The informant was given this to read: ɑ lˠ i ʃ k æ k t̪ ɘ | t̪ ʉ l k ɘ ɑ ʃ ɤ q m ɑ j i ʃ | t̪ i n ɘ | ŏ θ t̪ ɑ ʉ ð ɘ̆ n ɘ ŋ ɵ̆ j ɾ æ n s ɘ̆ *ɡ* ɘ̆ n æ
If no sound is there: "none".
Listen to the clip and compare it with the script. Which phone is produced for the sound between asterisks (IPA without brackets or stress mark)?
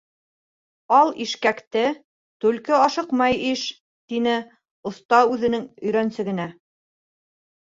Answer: ɡ